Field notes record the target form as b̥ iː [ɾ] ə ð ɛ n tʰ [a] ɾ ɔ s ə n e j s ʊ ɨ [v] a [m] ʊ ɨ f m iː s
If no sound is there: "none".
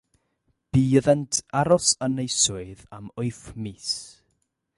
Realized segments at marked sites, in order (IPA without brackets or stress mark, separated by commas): none, a, ð, m